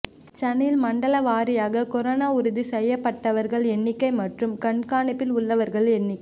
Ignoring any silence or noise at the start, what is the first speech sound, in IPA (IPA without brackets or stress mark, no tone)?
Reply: t͡ʃ